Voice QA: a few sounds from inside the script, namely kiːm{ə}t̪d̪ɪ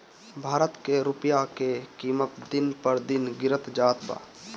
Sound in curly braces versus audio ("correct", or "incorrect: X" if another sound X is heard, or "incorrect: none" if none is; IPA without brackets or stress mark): correct